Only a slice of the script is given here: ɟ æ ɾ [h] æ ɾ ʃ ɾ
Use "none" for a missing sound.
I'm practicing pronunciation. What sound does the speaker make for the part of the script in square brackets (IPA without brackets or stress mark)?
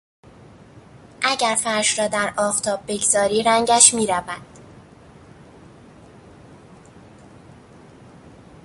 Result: f